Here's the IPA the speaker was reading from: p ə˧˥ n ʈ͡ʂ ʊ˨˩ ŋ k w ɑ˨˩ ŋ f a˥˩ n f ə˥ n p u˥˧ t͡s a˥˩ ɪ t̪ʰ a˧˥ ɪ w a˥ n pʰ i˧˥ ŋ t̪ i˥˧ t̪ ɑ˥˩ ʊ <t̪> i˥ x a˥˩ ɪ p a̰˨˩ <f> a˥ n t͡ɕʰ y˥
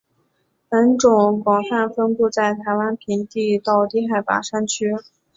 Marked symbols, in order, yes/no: yes, no

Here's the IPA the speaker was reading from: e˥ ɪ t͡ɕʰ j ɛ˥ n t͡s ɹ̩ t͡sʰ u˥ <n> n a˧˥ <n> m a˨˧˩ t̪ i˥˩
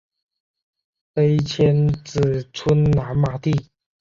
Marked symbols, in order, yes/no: yes, yes

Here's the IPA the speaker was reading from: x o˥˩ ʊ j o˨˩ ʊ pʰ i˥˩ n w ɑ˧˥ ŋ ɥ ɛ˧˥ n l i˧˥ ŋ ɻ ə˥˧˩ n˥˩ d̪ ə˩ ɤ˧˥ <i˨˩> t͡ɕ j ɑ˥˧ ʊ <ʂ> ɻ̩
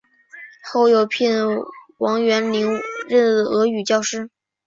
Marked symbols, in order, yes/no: no, yes

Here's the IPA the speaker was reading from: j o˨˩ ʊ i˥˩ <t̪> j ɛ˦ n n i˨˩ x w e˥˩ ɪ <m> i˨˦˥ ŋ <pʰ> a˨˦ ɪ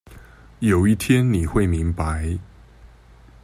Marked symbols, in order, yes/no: no, yes, no

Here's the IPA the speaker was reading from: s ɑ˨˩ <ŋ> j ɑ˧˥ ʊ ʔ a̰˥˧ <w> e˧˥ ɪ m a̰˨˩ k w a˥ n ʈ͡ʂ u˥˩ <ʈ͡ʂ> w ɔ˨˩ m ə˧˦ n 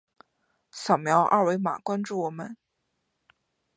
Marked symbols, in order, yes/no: no, yes, no

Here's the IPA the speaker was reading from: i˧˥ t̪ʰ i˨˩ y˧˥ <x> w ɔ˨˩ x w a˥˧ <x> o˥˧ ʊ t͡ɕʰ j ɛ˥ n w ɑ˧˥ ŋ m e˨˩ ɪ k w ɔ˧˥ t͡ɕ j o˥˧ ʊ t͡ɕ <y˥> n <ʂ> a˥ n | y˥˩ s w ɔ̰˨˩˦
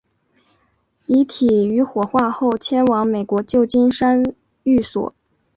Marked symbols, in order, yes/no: yes, yes, no, yes

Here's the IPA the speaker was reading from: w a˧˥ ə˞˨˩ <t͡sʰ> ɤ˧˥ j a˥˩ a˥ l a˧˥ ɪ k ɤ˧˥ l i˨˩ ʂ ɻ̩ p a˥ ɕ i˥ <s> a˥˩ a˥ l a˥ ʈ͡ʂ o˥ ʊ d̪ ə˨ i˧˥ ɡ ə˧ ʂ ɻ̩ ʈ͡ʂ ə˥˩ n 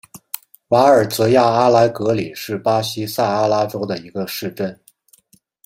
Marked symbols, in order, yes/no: no, yes

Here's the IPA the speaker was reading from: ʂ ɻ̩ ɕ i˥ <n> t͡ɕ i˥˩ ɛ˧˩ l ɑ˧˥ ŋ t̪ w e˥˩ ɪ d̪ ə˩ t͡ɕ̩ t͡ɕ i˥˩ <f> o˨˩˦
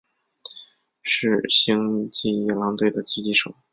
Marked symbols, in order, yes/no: no, no

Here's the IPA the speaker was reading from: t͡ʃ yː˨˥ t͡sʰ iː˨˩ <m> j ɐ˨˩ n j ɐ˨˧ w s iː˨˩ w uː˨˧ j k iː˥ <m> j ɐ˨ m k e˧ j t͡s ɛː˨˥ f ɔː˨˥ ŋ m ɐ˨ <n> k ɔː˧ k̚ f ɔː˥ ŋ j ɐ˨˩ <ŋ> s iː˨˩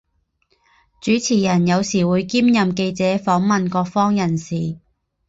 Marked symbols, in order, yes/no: no, yes, yes, no

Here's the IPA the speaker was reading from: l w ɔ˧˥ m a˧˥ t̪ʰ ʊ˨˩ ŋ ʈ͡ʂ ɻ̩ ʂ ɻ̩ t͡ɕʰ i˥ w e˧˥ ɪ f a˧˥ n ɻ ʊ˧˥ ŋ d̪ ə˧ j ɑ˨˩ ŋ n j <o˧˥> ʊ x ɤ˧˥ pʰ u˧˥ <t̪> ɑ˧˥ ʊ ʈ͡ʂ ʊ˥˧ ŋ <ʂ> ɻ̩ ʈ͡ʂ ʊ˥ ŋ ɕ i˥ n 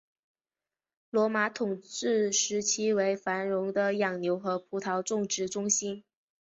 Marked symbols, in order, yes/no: yes, no, no

